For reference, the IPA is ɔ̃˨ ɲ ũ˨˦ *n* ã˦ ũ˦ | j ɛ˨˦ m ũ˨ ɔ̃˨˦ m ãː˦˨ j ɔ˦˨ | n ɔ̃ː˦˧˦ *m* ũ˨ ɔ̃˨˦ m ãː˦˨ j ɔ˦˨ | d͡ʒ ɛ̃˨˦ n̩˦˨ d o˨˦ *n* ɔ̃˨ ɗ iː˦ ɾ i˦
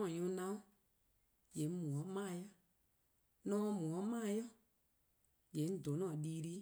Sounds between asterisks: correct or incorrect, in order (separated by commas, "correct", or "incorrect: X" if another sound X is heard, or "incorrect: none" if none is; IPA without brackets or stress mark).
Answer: correct, correct, correct